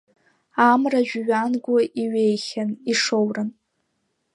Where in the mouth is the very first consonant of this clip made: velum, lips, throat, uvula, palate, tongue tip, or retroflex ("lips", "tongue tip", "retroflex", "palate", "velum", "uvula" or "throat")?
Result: lips